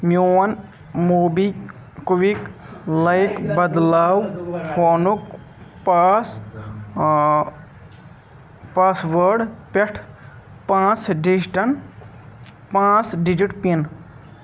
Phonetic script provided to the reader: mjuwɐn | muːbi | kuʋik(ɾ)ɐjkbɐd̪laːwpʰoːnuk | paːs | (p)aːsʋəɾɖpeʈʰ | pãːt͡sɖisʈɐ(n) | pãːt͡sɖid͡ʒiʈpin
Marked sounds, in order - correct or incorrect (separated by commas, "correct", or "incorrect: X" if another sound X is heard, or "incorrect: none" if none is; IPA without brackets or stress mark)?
incorrect: l, correct, correct